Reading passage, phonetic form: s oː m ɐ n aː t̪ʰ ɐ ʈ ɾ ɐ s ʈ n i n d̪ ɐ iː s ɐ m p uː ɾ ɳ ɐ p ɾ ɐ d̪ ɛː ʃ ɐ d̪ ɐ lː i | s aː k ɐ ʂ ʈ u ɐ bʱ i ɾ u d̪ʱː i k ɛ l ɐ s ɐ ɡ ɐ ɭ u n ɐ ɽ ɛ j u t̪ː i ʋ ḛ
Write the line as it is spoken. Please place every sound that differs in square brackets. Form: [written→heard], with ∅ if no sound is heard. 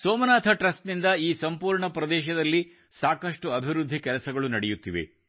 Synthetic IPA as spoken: s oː m ɐ n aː t̪ʰ ɐ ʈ ɾ ɐ s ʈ n i n d̪ ɐ iː s ɐ m p uː ɾ ɳ ɐ p ɾ ɐ d̪ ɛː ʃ ɐ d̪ ɐ lː i | s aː k ɐ ʂ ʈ u ɐ bʱ i ɾ u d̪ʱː i k ɛ l ɐ s ɐ ɡ ɐ ɭ u n ɐ ɽ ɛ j u t̪ː i ʋ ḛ